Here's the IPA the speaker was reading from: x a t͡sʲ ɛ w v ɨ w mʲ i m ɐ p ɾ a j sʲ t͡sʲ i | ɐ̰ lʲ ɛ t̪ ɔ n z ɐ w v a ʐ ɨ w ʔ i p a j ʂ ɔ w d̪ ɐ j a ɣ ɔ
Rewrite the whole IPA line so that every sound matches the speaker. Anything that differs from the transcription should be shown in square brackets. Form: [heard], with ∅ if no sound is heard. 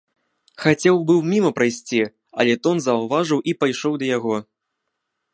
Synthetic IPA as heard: x a t͡sʲ ɛ w [b] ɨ w mʲ i m ɐ p ɾ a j sʲ t͡sʲ i | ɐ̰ lʲ ɛ t̪ ɔ n z ɐ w v a ʐ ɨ w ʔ i p a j ʂ ɔ w d̪ ɐ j a ɣ ɔ